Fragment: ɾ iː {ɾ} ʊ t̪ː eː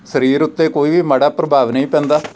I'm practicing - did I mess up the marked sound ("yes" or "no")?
no